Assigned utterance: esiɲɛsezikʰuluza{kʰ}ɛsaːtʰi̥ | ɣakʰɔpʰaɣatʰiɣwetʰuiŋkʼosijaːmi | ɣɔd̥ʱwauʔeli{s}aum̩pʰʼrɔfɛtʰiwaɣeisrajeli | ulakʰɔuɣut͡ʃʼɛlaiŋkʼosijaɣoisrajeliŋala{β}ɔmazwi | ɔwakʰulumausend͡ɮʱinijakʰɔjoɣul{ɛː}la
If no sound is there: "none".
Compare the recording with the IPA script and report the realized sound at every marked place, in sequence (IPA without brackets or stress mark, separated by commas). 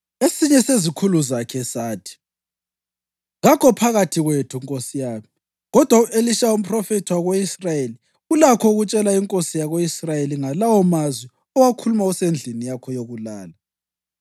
kʰ, ʃ, w, aː